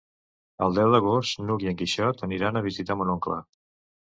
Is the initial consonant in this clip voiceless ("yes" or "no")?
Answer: no